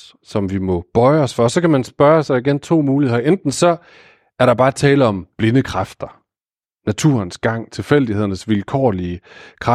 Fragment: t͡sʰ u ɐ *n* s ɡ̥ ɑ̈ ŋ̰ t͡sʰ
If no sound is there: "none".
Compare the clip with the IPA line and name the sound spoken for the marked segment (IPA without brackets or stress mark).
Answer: n